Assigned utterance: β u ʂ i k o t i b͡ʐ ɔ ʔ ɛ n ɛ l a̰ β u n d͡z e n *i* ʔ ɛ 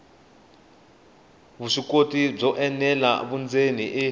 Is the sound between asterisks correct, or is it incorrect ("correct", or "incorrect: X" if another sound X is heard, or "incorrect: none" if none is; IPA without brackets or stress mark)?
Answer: correct